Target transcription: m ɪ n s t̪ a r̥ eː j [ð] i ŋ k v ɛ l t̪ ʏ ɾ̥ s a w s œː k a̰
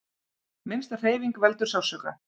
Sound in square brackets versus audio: incorrect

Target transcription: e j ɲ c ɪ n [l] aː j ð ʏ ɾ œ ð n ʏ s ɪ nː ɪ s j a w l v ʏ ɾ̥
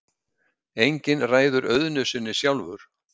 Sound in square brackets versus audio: incorrect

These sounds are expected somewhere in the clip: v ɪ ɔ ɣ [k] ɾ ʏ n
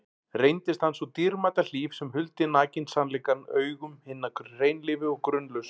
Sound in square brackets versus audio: correct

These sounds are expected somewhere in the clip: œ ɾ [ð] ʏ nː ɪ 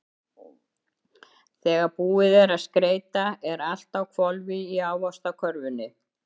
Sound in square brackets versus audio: incorrect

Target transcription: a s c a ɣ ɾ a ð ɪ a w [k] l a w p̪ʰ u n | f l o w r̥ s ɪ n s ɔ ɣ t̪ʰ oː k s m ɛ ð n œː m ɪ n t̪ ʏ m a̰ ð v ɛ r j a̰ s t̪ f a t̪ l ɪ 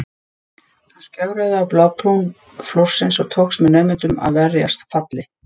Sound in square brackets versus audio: incorrect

